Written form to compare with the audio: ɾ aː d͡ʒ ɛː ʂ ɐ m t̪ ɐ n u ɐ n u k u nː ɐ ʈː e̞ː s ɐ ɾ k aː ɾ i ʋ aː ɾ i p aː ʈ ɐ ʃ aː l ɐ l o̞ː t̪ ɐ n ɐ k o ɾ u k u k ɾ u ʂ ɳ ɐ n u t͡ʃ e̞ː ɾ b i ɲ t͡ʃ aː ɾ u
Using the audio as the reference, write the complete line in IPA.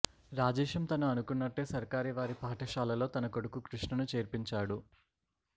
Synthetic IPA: ɾ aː d͡ʒ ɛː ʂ ɐ m t̪ ɐ n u ɐ n u k u nː ɐ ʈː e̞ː s ɐ ɾ k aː ɾ i ʋ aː ɾ i p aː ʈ ɐ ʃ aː l ɐ l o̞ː t̪ ɐ n ɐ k o ɽ u k u k ɾ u ʂ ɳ ɐ n u t͡ʃ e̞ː ɾ p i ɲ t͡ʃ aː ɽ u

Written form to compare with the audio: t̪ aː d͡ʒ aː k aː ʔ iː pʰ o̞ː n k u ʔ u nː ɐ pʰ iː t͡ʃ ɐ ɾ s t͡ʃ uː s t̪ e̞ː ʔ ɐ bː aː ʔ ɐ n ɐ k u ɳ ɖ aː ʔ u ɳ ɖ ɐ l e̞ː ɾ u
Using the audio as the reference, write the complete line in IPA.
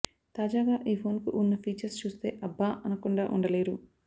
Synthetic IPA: t̪ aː d͡ʒ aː ɡ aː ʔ iː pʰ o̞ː n k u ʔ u nː ɐ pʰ iː t͡ʃ ɐ ɾ s t͡ʃ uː s t̪ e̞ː ʔ ɐ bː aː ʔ ɐ n ɐ k u ɳ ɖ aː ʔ u ɳ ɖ ɐ l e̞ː ɾ u

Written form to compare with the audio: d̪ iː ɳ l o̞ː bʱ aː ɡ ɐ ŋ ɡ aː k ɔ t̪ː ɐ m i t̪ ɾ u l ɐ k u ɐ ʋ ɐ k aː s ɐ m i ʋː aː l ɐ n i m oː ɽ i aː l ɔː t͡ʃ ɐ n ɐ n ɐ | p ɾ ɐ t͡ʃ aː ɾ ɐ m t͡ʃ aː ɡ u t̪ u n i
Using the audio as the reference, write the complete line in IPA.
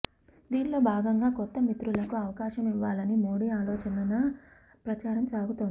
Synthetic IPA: d̪ iː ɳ l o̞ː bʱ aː ɡ ɐ ŋ ɡ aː k ɔ t̪ː ɐ m i t̪ ɾ u l ɐ k u ɐ ʋ ɐ k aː ʃ ɐ m i ʋː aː l ɐ n i m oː ɽ i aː l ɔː t͡ʃ ɐ n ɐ n ɐ | p ɾ ɐ t͡ʃ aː ɾ ɐ m t͡ʃ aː ɡ u t̪ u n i

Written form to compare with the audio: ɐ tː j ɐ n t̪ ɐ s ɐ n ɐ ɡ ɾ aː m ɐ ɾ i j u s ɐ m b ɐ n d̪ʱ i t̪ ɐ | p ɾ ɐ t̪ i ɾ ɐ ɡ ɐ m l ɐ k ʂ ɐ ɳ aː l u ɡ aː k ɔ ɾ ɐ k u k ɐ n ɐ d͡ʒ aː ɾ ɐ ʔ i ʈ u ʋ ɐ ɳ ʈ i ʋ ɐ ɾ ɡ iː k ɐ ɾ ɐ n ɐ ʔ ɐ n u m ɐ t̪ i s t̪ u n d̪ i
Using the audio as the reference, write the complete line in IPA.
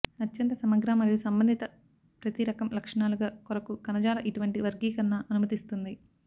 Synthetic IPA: ɐ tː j ɐ n t̪ ɐ s ɐ m ɐ ɡ ɾ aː m ɐ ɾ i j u s ɐ m b ɐ n d̪ʱ i t̪ ɐ | p ɾ ɐ t̪ i ɾ ɐ k ɐ m l ɐ k ʂ ɐ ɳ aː l u ɡ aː k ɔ ɾ ɐ k u k ɐ n ɐ d͡ʒ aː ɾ ɐ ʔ i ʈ u ʋ ɐ ɳ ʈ i ʋ ɐ ɾ ɡ iː k ɐ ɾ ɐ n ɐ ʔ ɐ n u m ɐ t̪ i s t̪ u n d̪ i

